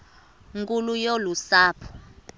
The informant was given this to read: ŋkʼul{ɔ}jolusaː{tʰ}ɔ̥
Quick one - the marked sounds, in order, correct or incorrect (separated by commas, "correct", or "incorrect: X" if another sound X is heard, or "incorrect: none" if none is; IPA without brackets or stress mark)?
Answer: incorrect: u, incorrect: pʰ